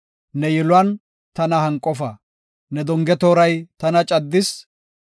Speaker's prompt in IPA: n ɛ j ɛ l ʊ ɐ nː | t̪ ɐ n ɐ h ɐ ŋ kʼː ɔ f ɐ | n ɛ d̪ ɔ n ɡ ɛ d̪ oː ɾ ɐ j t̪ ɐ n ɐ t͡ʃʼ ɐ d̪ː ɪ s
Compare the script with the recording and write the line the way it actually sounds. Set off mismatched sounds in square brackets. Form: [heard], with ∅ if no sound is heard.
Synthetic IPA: n ɛ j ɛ l ʊ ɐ [n] | t̪ ɐ n ɐ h ɐ ŋ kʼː ɔ f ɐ | n ɛ d̪ ɔ [ŋ] ɡ ɛ [t̪] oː ɾ ɐ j t̪ ɐ n ɐ t͡ʃʼ ɐ d̪ː ɪ s